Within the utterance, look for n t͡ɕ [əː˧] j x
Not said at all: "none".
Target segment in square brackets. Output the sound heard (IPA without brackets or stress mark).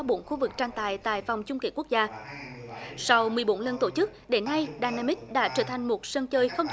əː˧